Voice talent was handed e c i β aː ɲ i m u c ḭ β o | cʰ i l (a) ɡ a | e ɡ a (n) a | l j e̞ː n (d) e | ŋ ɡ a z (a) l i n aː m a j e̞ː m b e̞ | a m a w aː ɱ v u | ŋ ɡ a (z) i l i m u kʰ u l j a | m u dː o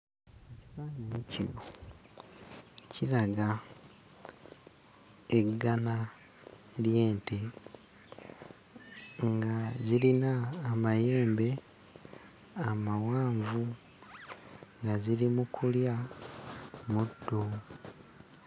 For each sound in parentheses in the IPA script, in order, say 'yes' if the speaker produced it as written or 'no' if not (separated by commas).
yes, yes, no, no, yes